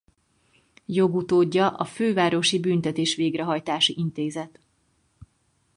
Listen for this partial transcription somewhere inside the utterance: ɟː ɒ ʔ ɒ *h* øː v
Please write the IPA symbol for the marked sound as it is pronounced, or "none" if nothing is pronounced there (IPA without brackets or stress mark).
f